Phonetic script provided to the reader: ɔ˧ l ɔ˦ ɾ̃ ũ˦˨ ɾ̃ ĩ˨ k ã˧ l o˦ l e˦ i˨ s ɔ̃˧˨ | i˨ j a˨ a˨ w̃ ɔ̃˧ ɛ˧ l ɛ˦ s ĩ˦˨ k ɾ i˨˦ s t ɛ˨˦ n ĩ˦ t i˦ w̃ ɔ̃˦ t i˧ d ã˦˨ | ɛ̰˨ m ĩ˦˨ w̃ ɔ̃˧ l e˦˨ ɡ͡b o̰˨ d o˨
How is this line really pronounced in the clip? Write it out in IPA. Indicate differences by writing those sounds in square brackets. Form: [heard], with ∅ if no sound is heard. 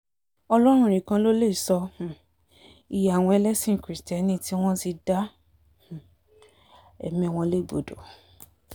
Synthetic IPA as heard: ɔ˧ l ɔ˦ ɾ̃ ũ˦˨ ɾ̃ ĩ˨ k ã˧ l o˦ l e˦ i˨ s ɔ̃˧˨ | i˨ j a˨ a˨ w̃ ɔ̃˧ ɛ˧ l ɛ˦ s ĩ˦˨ k ɾ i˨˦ s t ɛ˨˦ n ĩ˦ t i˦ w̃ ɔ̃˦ t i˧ d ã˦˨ | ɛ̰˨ m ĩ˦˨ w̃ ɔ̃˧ l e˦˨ ɡ͡b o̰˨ d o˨